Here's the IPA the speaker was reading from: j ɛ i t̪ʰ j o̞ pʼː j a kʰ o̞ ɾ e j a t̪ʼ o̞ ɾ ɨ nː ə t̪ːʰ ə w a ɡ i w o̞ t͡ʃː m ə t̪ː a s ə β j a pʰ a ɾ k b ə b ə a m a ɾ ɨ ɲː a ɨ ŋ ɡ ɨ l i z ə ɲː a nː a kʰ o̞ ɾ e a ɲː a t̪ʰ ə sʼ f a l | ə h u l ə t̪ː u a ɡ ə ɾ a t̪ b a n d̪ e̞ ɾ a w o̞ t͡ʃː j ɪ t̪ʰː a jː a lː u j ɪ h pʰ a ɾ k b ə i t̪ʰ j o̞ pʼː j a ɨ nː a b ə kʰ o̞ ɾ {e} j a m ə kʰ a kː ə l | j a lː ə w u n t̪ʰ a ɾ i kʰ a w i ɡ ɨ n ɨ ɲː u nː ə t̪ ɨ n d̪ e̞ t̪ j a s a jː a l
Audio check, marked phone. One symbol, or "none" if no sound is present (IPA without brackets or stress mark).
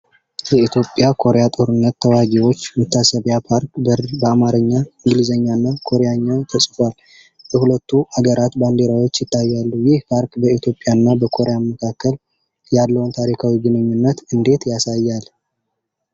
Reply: e